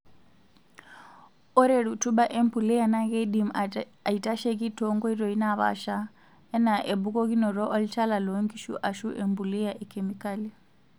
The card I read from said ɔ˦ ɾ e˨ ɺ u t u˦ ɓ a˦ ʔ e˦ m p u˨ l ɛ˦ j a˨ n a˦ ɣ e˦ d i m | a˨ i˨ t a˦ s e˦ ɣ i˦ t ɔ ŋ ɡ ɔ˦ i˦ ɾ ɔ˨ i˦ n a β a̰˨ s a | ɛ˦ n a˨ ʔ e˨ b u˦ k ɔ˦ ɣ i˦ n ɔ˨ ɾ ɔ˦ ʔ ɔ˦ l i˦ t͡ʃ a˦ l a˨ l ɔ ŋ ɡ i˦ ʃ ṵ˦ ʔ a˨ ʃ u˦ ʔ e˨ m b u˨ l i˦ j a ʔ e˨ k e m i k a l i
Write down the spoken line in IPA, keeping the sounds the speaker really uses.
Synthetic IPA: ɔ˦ ɾ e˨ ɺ u t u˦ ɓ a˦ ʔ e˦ m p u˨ l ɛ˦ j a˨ n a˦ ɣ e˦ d i m | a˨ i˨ t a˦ ʃ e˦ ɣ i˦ t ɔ ŋ ɡ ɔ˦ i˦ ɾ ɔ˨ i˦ n a β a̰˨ ʃ a | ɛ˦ n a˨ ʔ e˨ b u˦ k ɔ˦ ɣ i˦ n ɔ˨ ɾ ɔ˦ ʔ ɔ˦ l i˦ t͡ʃ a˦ l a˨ l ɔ ŋ ɡ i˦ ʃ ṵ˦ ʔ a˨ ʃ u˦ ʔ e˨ m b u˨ l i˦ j a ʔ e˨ k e m i k a l i